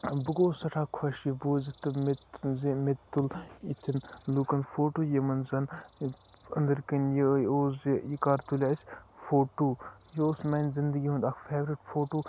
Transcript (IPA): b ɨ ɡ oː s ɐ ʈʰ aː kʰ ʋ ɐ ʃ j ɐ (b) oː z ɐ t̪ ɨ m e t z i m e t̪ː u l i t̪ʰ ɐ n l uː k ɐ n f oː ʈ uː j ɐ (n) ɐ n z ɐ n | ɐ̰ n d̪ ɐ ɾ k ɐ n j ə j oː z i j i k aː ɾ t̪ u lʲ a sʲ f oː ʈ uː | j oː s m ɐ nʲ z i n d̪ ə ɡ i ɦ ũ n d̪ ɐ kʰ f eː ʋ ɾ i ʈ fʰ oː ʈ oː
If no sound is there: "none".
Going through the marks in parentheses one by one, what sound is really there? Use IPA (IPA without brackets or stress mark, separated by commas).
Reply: b, m